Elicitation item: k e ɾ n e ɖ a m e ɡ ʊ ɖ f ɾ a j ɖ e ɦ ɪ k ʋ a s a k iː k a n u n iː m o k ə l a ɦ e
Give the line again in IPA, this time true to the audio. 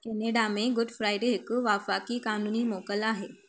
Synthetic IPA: k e n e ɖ a m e ɡ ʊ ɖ f ɾ a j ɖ e ɦ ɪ k ʋ a f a k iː k a n u n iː m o k ə l a ɦ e